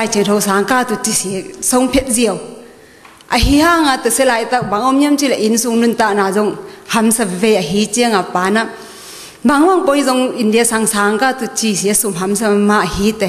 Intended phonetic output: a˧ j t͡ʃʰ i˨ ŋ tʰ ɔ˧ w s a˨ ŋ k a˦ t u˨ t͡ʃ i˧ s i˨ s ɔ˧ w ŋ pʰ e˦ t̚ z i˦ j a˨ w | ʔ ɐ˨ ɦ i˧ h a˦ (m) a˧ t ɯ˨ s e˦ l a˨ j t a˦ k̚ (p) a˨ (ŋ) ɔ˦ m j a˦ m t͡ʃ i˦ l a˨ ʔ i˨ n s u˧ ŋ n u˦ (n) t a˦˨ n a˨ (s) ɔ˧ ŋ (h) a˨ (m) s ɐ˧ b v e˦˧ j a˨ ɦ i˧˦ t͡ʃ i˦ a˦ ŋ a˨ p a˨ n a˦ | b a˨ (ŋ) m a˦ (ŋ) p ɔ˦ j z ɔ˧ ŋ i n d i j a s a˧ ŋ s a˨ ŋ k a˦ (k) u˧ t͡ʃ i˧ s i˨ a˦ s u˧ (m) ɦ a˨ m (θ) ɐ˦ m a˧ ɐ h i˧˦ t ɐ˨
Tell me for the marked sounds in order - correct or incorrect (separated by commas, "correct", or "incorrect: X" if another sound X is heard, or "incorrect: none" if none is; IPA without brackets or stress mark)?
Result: incorrect: ŋ, incorrect: b, correct, correct, incorrect: z, correct, correct, correct, correct, incorrect: t, correct, incorrect: s